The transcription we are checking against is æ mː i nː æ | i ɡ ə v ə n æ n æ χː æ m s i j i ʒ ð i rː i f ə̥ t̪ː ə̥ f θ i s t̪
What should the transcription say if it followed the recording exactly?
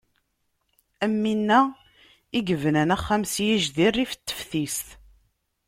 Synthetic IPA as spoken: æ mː i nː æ | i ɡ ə v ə n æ n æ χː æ m s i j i ʒ ð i rː i f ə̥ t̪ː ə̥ f θ i s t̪